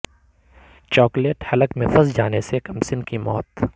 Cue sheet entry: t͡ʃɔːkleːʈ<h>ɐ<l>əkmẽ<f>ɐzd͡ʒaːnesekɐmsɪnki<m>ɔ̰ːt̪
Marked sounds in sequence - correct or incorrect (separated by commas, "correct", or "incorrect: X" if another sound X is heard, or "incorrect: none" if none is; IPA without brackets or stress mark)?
correct, correct, correct, correct